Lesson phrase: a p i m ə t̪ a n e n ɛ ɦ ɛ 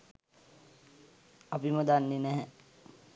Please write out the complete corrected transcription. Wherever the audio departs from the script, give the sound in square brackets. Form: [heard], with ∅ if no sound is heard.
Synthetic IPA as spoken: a p i m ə [d̪] a [nː] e n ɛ ɦ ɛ